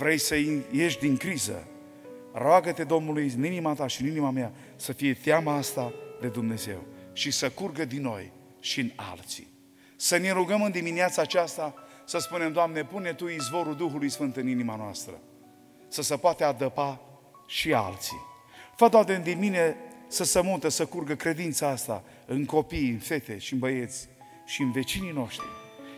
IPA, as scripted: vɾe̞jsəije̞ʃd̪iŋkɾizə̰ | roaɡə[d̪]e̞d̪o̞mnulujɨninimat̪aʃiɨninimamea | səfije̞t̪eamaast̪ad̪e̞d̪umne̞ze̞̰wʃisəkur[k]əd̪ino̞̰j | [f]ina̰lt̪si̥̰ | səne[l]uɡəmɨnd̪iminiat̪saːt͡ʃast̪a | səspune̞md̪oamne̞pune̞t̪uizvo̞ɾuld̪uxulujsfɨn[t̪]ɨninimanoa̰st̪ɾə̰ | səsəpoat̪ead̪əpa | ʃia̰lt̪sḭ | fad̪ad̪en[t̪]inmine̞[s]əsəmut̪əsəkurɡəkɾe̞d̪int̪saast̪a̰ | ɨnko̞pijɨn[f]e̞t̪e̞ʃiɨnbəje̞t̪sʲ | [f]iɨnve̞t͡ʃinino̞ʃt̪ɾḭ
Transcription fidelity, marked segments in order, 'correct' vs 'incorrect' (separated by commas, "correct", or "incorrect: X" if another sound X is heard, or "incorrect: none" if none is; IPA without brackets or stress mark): incorrect: t̪, incorrect: ɡ, incorrect: ʃ, incorrect: ɾ, correct, incorrect: d̪, correct, correct, incorrect: ʃ